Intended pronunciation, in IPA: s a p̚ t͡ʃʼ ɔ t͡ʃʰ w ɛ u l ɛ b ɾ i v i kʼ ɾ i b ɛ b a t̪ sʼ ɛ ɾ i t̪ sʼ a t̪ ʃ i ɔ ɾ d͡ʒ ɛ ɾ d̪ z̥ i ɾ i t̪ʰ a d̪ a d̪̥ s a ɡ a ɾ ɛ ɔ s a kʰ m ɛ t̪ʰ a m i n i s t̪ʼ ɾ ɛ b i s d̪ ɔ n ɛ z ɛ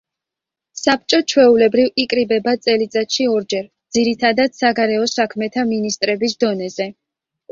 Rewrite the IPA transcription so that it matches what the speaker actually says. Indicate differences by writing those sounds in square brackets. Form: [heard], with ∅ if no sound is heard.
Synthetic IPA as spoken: s a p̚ t͡ʃʼ ɔ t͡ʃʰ w ɛ u l ɛ b ɾ i v i kʼ ɾ i b ɛ b a t̪ sʼ ɛ [l] i t̪ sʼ a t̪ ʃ i ɔ ɾ d͡ʒ ɛ ɾ d̪ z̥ i ɾ i t̪ʰ a d̪ a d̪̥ s a ɡ a ɾ ɛ ɔ s a kʰ m ɛ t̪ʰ a m i n i s t̪ʼ ɾ ɛ b i s d̪ ɔ n ɛ z ɛ